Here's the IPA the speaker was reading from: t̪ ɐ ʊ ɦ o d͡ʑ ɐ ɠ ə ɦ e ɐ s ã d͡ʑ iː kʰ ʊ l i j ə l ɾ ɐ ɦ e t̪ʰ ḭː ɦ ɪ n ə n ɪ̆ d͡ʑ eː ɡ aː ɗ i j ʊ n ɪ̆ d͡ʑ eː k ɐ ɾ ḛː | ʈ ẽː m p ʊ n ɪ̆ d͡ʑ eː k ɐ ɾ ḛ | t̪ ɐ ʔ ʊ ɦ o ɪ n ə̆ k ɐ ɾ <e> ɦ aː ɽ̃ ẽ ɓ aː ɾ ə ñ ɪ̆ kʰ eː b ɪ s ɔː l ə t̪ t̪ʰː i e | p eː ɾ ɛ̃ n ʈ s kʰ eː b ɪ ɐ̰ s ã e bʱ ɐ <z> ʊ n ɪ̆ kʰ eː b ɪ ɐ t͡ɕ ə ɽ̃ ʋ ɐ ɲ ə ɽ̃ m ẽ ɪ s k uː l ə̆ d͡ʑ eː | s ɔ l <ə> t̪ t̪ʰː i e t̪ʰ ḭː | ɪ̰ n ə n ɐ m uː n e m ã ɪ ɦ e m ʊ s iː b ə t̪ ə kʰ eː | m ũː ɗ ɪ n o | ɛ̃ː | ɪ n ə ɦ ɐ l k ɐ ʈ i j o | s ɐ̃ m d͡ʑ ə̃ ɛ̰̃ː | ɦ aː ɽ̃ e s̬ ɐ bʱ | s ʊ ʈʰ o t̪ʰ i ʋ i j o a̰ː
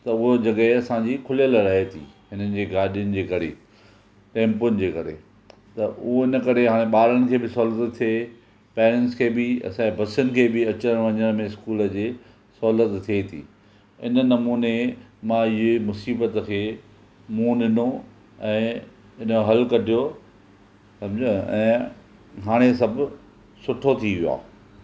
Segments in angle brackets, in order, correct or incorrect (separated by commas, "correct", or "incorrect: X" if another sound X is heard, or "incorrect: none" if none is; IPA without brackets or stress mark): correct, incorrect: s, correct